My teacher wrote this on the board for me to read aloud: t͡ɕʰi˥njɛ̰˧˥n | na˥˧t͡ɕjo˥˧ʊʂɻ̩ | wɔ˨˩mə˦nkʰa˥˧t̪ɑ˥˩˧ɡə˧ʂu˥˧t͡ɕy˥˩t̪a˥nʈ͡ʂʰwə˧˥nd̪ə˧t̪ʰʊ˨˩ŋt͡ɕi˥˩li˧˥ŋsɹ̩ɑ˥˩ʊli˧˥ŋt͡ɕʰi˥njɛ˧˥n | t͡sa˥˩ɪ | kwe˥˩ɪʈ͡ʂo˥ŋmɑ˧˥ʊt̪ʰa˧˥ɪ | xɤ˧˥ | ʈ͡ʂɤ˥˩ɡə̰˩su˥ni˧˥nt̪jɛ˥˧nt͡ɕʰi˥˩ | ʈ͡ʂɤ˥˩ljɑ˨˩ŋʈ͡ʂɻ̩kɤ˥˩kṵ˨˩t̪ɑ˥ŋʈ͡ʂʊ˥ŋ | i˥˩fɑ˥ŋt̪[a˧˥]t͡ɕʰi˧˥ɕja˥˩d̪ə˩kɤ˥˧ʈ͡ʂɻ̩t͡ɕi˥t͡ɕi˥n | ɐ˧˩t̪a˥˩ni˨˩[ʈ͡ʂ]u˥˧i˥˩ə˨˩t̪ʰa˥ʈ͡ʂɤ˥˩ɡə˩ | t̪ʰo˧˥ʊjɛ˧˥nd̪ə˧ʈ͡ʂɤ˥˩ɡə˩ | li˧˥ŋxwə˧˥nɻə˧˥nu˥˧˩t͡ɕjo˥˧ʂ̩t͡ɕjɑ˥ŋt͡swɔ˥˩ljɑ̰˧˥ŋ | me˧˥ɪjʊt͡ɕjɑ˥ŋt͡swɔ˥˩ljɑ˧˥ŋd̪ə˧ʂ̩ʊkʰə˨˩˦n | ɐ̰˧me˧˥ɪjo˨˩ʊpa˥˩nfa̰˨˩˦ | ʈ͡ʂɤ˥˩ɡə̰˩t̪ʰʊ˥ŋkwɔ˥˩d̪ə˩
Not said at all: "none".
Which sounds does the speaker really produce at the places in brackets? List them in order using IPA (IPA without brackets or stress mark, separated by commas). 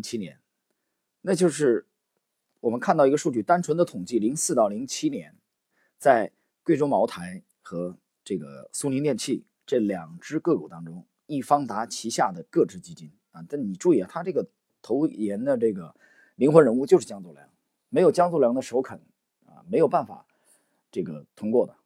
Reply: a˧˥, ʈ͡ʂ